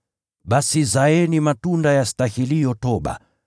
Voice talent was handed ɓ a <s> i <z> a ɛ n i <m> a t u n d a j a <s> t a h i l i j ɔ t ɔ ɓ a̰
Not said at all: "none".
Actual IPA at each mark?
s, z, m, s

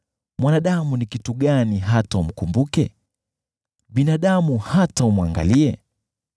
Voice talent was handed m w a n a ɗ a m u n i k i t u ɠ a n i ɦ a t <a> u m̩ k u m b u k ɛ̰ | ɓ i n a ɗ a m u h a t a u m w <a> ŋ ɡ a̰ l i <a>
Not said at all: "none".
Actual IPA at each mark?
a, a, ɛ

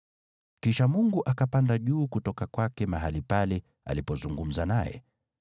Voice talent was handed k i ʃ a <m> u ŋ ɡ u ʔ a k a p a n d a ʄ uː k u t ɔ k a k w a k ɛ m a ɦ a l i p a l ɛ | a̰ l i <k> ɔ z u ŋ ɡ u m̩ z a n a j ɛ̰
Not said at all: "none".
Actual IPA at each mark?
m, p

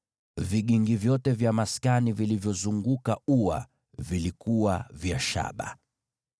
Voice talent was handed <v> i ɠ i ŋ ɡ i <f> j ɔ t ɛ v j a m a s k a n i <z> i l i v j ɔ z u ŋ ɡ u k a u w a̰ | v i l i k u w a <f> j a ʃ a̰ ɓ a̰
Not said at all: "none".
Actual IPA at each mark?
v, v, v, v

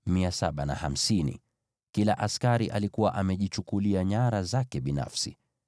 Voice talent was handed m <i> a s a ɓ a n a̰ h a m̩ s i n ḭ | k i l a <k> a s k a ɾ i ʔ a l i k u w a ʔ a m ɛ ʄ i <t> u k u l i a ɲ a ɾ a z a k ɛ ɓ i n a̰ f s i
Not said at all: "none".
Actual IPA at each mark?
i, ʔ, t͡ʃ

